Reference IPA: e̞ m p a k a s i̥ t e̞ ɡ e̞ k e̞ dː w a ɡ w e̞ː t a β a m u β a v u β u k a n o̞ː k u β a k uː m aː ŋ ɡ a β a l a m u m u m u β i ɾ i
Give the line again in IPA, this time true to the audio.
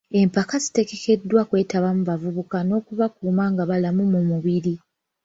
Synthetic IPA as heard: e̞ m p a k a z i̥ t e̞ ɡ e̞ k e̞ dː w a k w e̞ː t a β a m u β a v u β u k a n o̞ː k u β a k uː m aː ŋ ɡ a β a l a m u m u m u β i ɾ i